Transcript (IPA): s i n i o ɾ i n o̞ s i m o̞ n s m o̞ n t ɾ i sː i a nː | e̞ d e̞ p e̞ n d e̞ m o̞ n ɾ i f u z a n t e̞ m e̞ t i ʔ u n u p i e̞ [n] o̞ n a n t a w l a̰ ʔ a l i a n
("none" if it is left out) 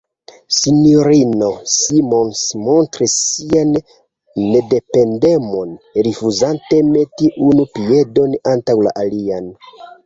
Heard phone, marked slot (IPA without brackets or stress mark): d